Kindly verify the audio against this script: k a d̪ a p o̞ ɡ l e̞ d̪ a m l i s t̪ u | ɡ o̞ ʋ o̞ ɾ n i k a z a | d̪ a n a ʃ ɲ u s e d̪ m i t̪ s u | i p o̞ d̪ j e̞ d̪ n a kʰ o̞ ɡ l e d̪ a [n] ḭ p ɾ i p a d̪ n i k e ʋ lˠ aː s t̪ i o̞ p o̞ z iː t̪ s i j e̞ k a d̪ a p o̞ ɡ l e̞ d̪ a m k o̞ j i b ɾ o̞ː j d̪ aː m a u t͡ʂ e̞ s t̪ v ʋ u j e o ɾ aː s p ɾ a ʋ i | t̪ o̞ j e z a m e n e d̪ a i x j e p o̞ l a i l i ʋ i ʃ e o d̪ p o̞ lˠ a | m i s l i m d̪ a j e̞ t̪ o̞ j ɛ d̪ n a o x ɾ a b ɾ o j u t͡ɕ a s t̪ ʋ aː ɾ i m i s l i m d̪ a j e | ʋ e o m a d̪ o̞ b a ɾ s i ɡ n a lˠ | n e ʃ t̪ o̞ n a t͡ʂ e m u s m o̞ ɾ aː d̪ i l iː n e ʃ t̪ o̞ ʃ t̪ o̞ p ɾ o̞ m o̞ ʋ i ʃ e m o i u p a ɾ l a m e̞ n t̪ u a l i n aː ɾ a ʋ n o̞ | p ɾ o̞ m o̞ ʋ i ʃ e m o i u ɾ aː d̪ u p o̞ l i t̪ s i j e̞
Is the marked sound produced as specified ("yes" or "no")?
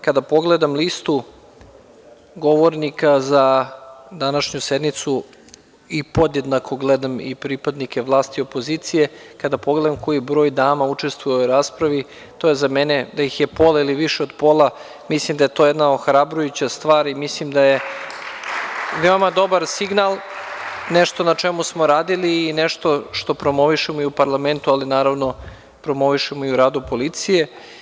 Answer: no